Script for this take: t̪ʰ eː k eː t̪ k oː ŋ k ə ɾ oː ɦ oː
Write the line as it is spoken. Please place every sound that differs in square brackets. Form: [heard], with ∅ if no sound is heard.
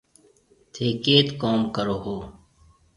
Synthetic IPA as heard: t̪ʰ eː k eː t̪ k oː [m] k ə ɾ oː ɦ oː

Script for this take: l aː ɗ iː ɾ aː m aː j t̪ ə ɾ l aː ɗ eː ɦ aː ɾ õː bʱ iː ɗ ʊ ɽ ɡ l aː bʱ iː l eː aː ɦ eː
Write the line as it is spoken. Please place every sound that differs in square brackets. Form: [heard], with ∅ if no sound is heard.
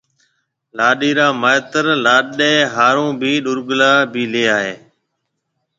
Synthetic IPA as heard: l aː ɗ iː ɾ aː m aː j t̪ ə ɾ l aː ɗ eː ɦ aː ɾ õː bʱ iː ɗ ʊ [ɾ] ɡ l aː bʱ iː l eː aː ɦ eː

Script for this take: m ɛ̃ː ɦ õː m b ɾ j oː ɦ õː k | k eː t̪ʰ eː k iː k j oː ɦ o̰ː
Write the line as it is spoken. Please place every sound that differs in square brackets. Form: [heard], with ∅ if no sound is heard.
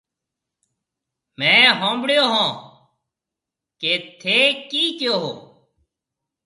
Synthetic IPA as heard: m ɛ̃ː ɦ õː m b [ɽ] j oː ɦ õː [∅] | k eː t̪ʰ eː k iː k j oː ɦ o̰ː

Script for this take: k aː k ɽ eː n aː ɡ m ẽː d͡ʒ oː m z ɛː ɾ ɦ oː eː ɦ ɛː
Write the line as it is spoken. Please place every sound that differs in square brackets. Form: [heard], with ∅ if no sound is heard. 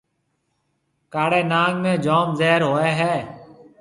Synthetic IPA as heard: k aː [∅] ɽ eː n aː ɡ m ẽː d͡ʒ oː m z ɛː ɾ ɦ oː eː ɦ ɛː

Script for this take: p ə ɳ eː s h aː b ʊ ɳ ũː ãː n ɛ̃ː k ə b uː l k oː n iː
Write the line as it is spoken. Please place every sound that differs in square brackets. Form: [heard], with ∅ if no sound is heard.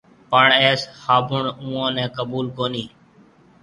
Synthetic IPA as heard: p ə ɳ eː s h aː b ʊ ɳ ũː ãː n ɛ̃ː k ə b uː l k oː n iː

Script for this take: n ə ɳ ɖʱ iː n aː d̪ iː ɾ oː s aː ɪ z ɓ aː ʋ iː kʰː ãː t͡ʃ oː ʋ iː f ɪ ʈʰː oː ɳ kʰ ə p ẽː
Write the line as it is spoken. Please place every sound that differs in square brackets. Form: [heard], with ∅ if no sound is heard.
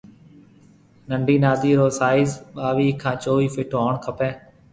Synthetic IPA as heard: n ə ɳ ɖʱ iː n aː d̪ iː ɾ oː s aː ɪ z ɓ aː ʋ iː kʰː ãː t͡ʃ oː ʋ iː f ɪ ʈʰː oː ɳ kʰ ə p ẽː

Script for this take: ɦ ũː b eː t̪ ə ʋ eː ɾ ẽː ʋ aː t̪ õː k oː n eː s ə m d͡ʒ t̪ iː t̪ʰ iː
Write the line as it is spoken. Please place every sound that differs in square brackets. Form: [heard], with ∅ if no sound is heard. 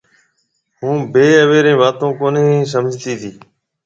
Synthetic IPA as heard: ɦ ũː b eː [∅] ə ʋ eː ɾ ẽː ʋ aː t̪ õː k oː n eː s ə m d͡ʒ t̪ iː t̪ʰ iː

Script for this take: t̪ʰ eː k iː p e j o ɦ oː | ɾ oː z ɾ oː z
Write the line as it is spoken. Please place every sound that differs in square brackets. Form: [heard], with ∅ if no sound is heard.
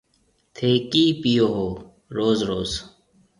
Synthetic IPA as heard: t̪ʰ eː k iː p [i] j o ɦ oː | ɾ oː z ɾ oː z

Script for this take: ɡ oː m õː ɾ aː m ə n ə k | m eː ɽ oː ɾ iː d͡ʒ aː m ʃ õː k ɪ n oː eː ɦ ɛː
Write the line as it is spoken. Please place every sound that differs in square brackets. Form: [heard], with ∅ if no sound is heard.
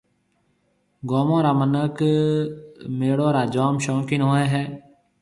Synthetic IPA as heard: ɡ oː m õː ɾ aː m ə n ə k | m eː ɽ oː ɾ [aː] d͡ʒ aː m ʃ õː k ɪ n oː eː ɦ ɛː

